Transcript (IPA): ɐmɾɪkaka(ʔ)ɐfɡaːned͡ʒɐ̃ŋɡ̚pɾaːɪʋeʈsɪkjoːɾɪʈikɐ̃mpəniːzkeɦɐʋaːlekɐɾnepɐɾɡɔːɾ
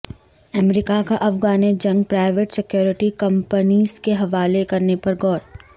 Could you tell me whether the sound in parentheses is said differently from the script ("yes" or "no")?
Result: no